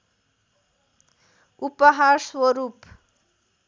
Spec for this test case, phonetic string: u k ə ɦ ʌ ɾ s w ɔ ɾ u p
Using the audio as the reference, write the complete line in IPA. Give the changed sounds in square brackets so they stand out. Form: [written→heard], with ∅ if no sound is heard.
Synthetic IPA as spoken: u [k→p] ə ɦ [ʌ→a] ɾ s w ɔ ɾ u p